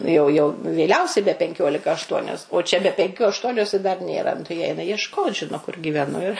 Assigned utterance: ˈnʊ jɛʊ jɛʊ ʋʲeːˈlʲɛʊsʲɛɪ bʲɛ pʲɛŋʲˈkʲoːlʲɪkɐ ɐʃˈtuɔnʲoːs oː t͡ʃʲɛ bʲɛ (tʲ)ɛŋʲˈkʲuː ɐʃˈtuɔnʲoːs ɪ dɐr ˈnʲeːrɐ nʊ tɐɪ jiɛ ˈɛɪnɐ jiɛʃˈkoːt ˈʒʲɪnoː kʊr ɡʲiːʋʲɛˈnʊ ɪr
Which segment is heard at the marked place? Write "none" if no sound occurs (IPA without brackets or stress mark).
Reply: pʲ